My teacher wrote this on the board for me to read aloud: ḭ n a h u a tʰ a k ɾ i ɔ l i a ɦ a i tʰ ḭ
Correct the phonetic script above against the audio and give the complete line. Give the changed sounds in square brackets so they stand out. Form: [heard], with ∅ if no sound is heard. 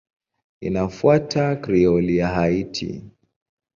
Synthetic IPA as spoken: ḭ n a [f] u a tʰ a k ɾ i ɔ l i a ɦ a i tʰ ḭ